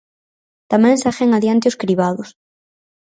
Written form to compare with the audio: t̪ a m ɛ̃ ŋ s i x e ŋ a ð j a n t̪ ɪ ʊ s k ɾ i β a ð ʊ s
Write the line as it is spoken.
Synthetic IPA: t̪ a m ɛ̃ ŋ s a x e ŋ a ð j a n t̪ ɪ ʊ s k ɾ i β a ð ʊ s